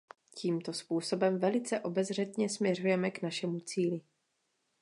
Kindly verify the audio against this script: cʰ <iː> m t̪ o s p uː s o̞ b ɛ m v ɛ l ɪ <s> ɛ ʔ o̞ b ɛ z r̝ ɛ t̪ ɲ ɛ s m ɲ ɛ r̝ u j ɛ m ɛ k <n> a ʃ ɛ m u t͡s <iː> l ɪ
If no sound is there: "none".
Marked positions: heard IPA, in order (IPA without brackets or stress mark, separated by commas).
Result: iː, t͡s, n, iː